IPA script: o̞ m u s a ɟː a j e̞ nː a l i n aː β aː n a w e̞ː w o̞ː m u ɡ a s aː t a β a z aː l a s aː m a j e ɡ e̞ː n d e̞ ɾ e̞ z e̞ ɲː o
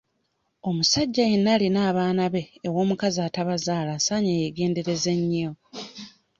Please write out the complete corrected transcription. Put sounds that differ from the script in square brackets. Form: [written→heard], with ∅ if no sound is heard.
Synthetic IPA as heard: o̞ m u s a ɟː a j e̞ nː a l i n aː β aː n a [w→β] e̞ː w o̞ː m u [ɡ→k] a [s→z] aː t a β a z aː l a s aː [m→ɲ] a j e ɡ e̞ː n d e̞ ɾ e̞ z e̞ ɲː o